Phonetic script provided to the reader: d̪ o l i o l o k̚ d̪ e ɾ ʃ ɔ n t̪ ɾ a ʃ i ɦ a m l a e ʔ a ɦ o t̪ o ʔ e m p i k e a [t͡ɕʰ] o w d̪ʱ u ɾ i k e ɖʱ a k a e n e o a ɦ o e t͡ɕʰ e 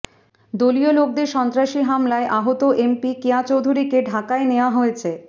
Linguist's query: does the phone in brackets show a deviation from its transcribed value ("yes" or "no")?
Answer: yes